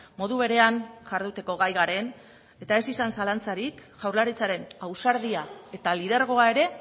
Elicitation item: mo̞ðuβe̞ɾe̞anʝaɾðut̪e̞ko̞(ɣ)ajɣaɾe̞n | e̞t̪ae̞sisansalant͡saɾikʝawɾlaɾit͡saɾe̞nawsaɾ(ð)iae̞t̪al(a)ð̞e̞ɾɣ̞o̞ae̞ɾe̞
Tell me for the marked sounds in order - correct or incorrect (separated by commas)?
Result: correct, correct, incorrect